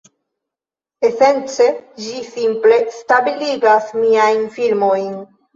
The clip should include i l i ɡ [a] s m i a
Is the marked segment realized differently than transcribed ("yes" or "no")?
no